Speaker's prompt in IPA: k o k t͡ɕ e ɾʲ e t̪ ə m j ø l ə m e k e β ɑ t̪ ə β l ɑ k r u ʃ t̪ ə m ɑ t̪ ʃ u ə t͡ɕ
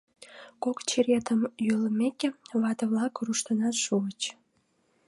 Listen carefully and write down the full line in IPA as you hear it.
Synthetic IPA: k o k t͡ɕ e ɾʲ e t̪ ə m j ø l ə m e k e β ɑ t̪ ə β l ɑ k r u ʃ t̪ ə n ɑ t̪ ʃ u ə t͡ɕ

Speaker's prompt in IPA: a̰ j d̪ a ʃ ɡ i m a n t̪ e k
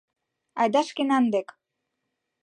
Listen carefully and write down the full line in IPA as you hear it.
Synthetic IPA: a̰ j d̪ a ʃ k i n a n d̪ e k

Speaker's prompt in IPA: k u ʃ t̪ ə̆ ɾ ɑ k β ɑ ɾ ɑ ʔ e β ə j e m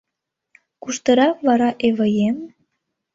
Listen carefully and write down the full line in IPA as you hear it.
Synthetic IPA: k u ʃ t̪ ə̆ ɾ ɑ k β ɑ ɾ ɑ ʔ e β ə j e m

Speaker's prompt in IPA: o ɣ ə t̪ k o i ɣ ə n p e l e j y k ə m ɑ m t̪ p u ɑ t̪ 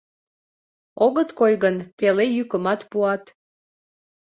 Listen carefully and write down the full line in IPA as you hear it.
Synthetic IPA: o ɣ ə t̪ k o j ɣ ə n p e l e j y k ə m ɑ t̪ p u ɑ t̪

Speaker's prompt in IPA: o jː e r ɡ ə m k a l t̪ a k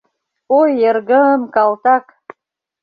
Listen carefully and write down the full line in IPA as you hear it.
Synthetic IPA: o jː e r ɡ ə m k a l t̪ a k

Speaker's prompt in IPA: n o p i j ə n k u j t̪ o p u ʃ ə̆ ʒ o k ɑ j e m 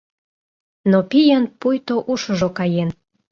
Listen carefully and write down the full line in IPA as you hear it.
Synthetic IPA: n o p i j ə n p u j t̪ o ʔ u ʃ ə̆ ʒ o k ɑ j e n

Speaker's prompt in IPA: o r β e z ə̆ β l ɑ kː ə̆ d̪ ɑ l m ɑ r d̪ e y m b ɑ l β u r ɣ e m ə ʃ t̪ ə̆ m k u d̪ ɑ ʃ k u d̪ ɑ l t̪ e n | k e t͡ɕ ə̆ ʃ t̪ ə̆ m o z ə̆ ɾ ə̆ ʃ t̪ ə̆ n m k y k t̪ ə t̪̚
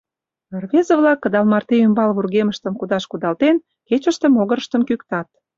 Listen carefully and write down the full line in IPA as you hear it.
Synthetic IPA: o r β e z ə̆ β l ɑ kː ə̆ d̪ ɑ l m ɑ r t̪ e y m b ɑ l β u r ɣ e m ə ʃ t̪ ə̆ m k u d̪ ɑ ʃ k u d̪ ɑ l t̪ e n | k e t͡ɕ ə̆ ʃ t̪ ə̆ m o ɣ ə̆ ɾ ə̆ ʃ t̪ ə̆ m k y k t̪ ɑ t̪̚

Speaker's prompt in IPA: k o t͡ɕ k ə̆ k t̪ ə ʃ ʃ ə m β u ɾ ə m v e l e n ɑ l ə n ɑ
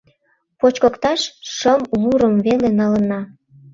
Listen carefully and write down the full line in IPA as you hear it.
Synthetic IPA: p o t͡ɕ k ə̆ k t̪ ɑ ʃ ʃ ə m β u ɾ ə m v e l e n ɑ l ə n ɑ

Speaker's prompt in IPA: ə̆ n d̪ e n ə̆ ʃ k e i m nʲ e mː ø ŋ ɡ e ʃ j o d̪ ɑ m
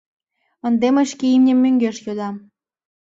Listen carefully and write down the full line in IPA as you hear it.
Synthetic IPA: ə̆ n d̪ e m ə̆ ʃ k e i m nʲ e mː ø ŋ ɡ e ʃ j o d̪ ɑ m

